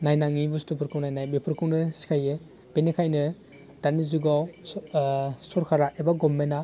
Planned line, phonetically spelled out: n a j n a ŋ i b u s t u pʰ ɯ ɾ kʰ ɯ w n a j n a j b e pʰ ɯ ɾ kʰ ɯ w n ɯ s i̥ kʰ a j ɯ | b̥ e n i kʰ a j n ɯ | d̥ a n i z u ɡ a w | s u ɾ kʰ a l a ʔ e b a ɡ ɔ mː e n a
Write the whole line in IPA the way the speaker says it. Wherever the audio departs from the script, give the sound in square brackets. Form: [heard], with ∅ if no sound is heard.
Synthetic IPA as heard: n a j n a ŋ i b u s t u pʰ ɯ ɾ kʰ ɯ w n a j n a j b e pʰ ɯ ɾ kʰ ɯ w n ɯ s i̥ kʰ a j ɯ | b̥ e n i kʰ a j n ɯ | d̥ a n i z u ɡ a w | s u ɾ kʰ a [ɾ] a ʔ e b a ɡ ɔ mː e n a